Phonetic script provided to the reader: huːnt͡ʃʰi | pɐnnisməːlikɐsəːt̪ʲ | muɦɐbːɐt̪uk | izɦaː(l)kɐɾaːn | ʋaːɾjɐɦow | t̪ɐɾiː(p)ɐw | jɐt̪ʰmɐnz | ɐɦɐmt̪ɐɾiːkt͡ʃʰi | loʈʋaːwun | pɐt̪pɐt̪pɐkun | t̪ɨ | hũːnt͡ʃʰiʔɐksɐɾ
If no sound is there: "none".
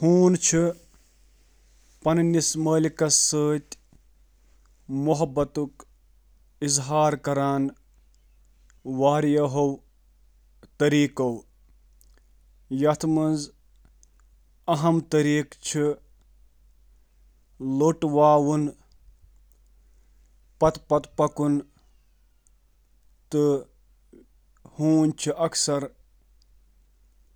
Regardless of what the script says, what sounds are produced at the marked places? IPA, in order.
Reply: ɾ, k

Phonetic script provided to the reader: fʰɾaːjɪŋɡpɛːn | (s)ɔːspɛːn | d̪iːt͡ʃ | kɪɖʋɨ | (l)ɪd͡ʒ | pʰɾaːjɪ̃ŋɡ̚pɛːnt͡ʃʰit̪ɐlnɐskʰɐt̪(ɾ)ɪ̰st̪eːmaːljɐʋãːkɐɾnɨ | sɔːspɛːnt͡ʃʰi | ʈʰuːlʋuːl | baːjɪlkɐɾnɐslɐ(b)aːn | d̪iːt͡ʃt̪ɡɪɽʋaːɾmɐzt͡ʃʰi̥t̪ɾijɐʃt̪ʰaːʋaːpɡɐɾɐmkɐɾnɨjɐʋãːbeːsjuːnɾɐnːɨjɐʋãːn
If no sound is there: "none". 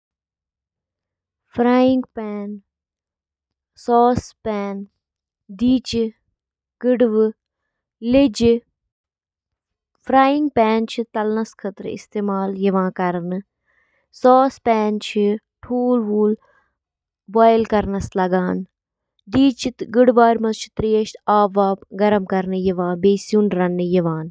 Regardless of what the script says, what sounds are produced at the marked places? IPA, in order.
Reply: s, l, ɾ, ɡ

